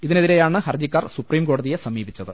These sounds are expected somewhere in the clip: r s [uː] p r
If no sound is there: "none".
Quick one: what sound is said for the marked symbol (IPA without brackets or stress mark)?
u